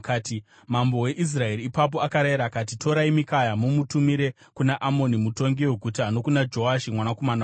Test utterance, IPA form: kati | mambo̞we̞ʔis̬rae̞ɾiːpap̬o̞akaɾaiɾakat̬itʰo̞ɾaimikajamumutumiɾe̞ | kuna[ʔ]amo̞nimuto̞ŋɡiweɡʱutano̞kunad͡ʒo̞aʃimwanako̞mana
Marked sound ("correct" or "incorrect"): correct